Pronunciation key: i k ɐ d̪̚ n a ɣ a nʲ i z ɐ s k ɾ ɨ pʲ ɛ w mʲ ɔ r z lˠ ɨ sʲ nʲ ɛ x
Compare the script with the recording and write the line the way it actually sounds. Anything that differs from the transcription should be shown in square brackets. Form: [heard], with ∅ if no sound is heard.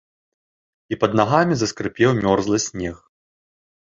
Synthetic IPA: i [p] ɐ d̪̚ n a ɣ a [mʲ] i z ɐ s k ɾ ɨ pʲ ɛ w mʲ ɔ r z lˠ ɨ sʲ nʲ ɛ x